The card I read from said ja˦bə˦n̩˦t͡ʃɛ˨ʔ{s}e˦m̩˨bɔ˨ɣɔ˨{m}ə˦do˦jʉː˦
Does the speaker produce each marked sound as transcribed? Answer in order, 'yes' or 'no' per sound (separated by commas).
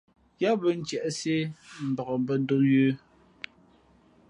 yes, no